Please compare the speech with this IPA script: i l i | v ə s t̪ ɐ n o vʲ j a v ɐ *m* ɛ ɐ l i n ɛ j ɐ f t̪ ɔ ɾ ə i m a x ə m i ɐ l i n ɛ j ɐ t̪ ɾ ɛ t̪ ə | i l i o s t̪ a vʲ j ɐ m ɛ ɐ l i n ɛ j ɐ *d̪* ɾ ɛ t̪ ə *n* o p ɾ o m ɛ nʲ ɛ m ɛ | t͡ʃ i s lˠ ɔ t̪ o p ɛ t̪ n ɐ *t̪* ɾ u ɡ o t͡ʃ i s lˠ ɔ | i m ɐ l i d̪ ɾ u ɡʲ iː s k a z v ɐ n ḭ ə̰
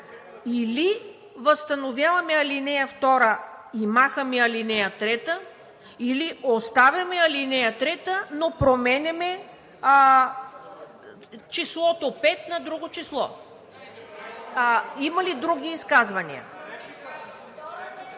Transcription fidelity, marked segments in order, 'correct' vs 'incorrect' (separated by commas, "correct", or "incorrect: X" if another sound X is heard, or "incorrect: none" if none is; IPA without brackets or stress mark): correct, incorrect: t̪, correct, incorrect: d̪